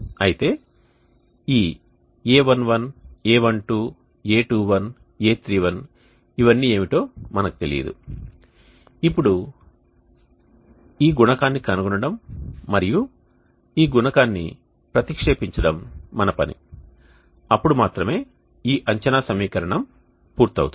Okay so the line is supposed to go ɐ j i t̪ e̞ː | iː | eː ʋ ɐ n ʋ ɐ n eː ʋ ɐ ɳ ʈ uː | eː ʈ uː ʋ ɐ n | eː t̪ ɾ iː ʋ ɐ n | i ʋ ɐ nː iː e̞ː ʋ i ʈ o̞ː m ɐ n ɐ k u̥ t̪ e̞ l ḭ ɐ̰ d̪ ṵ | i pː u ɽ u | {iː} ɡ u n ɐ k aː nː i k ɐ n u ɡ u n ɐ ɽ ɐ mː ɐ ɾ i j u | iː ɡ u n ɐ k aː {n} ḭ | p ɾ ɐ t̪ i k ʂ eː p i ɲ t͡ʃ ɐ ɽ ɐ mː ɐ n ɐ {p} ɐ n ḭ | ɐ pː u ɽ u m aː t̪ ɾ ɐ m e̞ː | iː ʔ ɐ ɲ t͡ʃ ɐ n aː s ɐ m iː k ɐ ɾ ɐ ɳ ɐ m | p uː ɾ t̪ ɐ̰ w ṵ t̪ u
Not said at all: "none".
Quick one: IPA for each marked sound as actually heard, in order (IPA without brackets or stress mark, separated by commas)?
iː, nː, p